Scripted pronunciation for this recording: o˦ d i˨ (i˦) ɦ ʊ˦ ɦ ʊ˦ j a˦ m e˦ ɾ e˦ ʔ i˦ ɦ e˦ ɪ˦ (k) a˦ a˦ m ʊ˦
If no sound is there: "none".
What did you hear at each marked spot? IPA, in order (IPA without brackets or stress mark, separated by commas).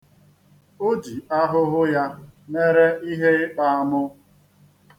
a˦, k͡p